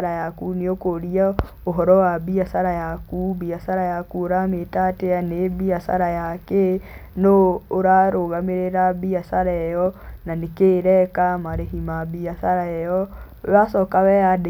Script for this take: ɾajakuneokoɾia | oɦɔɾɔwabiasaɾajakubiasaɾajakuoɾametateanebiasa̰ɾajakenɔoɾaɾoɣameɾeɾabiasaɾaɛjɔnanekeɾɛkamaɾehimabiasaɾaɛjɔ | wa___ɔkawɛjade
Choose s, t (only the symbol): s